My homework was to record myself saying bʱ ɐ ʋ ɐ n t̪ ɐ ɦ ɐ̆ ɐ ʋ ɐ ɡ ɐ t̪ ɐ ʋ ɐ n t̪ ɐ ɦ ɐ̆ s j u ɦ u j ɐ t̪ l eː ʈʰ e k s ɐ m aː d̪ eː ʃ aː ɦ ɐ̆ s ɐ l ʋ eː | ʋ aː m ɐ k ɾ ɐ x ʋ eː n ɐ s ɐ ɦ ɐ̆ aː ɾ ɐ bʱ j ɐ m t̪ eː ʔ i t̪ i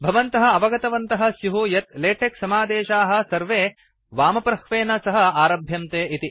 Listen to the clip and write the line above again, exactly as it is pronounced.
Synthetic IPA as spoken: bʱ ɐ ʋ ɐ n t̪ ɐ ɦ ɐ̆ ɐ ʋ ɐ ɡ ɐ t̪ ɐ ʋ ɐ n t̪ ɐ ɦ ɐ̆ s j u ɦ u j ɐ t̪ l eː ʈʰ e k s ɐ m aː d̪ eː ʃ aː ɦ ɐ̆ s ɐ ɾ ʋ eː | ʋ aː m ɐ p ɾ ɐ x ʋ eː n ɐ s ɐ ɦ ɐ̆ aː ɾ ɐ bʱ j ɐ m t̪ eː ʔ i t̪ i